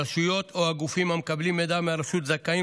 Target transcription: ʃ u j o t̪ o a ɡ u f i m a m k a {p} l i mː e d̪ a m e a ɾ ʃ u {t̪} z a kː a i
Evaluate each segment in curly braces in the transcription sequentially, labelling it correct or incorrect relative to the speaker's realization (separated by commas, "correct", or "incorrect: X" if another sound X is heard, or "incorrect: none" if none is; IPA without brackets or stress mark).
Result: incorrect: b, correct